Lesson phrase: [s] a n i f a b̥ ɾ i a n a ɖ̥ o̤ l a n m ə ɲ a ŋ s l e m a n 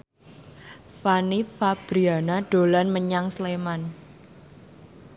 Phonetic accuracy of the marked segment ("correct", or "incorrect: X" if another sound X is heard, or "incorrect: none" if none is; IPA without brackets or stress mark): incorrect: f